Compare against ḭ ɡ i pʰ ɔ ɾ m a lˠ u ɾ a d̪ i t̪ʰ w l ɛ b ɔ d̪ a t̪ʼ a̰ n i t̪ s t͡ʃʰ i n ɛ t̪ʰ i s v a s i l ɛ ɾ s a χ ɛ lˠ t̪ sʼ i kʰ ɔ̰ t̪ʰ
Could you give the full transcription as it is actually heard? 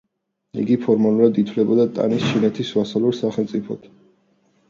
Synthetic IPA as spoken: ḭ ɡ i pʰ ɔ ɾ m a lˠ u ɾ a d̪ i t̪ʰ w l ɛ b ɔ d̪ a t̪ʼ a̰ n i s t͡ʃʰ i n ɛ t̪ʰ i s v a s a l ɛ ɾ s a χ ɛ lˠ t̪ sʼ i pʰ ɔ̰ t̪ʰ